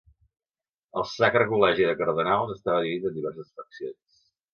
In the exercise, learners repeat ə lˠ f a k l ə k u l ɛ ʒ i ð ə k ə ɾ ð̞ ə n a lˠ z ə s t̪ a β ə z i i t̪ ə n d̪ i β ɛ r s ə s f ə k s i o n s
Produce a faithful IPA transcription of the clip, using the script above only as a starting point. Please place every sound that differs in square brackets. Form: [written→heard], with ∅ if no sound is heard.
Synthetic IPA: ə lˠ [f→s] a k [l→ɾ] ə k u l ɛ ʒ i ð ə k ə ɾ ð̞ ə n a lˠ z ə s t̪ a β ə [z→ð] i i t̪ ə n d̪ i β ɛ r s ə s f ə k s i o n s

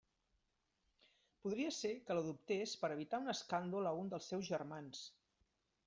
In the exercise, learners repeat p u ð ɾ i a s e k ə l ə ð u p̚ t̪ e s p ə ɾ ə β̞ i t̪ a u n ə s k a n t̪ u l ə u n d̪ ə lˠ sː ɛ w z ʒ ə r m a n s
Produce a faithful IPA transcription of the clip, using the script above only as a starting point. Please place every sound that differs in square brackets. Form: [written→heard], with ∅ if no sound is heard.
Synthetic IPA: p u ð ɾ i [a→ə] s e k ə l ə ð u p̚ t̪ e s p ə ɾ ə β̞ i t̪ a u n ə s k a n [t̪→d̪] u l ə u n d̪ ə lˠ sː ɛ w z ʒ ə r m a n s

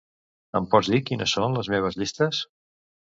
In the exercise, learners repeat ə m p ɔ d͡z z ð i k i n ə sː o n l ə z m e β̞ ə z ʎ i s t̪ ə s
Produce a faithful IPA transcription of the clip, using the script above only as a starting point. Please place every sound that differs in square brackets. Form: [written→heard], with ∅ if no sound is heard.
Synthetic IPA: ə m p ɔ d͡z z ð i k i n ə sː o n l ə z m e β̞ ə z ʎ i s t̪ ə s

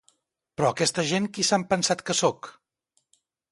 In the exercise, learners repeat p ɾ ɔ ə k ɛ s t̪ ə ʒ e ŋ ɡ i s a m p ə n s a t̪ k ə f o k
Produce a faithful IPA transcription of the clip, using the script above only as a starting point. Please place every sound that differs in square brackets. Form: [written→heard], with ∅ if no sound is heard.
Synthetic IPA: p ɾ ɔ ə k ɛ s t̪ ə ʒ e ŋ [ɡ→k] i s a m p ə n s a t̪ k ə [f→s] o k

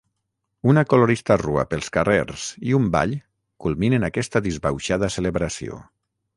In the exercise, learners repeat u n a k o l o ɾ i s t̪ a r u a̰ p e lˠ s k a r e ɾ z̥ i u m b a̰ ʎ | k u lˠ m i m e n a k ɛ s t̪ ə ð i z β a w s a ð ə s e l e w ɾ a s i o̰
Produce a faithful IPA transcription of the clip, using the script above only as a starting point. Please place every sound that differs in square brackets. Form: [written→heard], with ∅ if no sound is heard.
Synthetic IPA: u n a k o l o ɾ i s t̪ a r u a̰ p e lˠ s k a r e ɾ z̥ i u m b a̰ ʎ | k u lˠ m i [m→n] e n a k ɛ s t̪ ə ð i z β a w [s→ʃ] a ð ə s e l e [w→β] ɾ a s i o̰

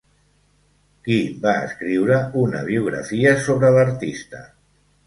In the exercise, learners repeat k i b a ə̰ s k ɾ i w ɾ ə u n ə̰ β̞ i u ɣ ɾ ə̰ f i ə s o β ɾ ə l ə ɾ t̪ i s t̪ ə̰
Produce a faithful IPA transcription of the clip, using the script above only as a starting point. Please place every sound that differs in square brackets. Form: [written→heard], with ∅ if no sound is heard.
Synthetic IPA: k i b a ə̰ s k ɾ i w ɾ ə u n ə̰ β̞ i u ɣ ɾ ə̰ f i ə s o β ɾ ə l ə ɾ t̪ i s t̪ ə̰

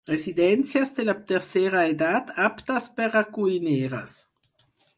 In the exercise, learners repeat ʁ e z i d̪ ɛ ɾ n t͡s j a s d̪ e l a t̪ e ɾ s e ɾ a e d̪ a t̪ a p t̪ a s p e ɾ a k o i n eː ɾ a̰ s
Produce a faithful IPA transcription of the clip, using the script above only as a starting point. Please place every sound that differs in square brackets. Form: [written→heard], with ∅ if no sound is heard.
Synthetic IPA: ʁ e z i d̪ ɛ [ɾ→∅] n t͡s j a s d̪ e l a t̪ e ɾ s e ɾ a e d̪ a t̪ a p t̪ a s p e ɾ a k [o→u] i n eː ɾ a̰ s

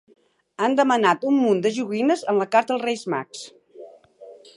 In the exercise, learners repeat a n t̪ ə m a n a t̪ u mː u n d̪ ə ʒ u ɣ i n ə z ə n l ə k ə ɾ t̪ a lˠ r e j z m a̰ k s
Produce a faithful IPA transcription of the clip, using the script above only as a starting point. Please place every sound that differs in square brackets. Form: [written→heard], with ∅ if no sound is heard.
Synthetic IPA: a n [t̪→d̪] ə m [a→ə] n a t̪ u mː u n d̪ ə ʒ u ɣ i n ə z ə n l ə k [ə→a] ɾ t̪ [a→ə] lˠ r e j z m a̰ k s

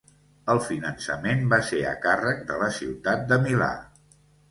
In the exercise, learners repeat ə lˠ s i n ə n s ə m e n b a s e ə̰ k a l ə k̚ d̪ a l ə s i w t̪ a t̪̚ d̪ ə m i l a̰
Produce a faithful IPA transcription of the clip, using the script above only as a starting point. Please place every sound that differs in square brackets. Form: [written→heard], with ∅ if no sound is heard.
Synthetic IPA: ə lˠ [s→f] i n ə n s ə m e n b a s e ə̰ k a [l→r] ə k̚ d̪ [a→ə] l ə s i w t̪ a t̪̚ d̪ ə m i l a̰

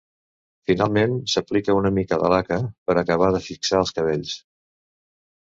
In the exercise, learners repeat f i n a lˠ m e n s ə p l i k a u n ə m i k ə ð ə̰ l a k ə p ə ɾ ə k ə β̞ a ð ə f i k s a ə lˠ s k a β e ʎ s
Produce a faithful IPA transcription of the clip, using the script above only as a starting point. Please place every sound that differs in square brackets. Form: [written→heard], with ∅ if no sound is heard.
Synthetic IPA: f i n a lˠ m e n s ə p l i k [a→ə] u n ə m i k ə ð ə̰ l a k ə p ə ɾ ə k ə β̞ a ð ə f i k s a ə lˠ s k [a→ə] β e ʎ s

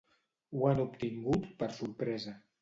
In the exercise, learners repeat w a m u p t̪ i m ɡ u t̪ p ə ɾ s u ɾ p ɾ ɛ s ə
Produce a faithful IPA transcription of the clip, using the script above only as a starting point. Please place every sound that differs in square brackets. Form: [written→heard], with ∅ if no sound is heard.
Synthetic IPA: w a [m→n] u p t̪ i [m→ŋ] ɡ u t̪ p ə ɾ s u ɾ p ɾ ɛ [s→z] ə

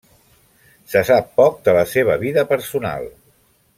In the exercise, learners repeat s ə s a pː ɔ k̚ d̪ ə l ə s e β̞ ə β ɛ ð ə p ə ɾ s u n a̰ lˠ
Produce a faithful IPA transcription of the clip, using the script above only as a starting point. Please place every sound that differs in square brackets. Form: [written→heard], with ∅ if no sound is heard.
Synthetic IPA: s ə s a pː ɔ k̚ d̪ ə l ə s e β̞ ə β [ɛ→i] ð ə p ə ɾ s u n a̰ lˠ

